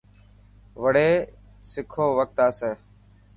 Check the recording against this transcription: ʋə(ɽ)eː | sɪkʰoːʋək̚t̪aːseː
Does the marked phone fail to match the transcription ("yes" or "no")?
no